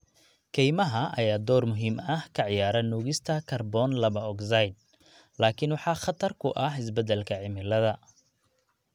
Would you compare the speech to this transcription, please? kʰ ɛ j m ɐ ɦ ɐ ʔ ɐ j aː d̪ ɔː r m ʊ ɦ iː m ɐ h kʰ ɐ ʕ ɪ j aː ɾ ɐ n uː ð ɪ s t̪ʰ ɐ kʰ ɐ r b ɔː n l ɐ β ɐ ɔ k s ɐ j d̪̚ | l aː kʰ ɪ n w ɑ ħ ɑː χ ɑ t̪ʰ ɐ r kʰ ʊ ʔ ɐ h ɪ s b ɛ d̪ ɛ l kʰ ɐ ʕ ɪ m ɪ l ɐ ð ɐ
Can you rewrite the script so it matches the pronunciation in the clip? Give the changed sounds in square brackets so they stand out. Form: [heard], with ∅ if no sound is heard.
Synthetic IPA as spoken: kʰ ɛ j m ɐ ɦ ɐ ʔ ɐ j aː d̪ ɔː r m ʊ ɦ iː m ɐ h kʰ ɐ ʕ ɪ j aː ɾ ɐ n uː [ɣ] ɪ s t̪ʰ ɐ kʰ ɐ r b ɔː n l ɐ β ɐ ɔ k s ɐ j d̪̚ | l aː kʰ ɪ n w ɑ ħ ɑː χ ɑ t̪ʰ ɐ r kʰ ʊ ʔ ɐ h ɪ s b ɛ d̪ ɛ l kʰ ɐ ʕ ɪ m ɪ l ɐ ð ɐ